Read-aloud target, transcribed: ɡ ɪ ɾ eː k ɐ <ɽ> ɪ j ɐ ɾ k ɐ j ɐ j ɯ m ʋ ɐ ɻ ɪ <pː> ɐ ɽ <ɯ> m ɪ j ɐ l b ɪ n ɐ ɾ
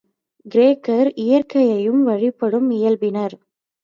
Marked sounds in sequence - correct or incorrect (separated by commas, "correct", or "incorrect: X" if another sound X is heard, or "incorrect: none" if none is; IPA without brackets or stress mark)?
incorrect: ɾ, correct, correct